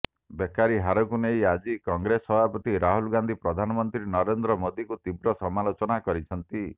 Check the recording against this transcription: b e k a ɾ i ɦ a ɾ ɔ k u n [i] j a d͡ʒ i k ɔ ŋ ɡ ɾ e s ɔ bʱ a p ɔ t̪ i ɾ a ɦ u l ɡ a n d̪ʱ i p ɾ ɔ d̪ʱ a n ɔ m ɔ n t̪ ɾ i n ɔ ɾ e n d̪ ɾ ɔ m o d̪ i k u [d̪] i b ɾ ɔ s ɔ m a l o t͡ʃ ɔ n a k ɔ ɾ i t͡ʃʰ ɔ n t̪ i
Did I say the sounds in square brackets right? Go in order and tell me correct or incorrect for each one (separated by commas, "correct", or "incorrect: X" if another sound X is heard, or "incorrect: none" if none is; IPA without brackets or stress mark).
incorrect: e, incorrect: t̪